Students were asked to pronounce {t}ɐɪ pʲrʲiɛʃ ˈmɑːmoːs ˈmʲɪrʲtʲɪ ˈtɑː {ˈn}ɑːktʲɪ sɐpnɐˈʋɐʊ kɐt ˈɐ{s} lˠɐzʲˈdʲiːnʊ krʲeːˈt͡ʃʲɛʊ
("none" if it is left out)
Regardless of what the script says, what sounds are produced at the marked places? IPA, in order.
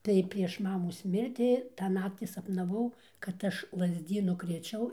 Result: t, n, ʃ

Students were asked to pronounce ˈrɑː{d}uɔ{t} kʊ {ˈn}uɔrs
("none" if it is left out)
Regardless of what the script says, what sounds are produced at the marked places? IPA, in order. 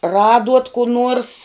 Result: d, t, n

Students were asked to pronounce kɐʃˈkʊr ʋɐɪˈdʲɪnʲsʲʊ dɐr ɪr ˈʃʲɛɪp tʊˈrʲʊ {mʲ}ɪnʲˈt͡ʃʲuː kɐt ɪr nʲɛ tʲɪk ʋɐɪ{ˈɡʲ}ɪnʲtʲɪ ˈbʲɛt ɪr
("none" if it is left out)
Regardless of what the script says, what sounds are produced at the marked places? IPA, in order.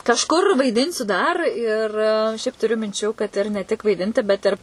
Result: mʲ, dʲ

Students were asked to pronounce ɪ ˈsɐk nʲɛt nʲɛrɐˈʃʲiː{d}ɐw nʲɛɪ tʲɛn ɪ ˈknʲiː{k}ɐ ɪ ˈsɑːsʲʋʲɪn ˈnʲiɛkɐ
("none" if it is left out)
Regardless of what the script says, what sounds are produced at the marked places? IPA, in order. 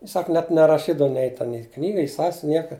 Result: d, ɡ

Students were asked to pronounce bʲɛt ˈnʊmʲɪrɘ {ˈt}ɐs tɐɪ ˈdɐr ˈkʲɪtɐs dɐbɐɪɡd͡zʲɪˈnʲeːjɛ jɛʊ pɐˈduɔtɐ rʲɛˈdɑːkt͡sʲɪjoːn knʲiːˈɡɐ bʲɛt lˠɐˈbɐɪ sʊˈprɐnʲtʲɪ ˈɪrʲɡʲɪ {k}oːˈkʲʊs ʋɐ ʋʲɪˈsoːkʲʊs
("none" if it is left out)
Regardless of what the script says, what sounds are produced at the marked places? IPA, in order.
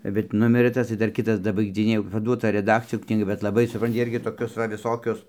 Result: t, t

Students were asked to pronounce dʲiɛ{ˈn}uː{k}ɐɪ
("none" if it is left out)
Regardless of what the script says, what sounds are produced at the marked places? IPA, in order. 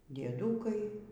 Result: d, k

